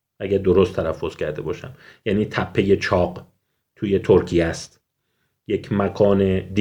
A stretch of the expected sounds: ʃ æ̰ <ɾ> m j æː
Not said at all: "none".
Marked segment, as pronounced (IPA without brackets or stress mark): none